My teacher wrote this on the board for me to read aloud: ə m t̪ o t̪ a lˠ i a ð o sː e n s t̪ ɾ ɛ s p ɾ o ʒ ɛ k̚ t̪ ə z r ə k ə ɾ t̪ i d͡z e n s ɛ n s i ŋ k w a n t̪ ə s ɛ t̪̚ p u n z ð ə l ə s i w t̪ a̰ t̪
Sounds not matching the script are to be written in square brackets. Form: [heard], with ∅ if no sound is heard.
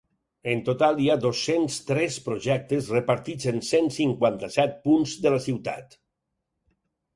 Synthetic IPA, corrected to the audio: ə [n] t̪ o t̪ a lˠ i a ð o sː e n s t̪ ɾ ɛ s p ɾ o ʒ ɛ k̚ t̪ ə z r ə [p] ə ɾ t̪ i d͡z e n s [e] n s i ŋ k w a n t̪ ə s ɛ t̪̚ p u n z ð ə l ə s i w t̪ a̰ t̪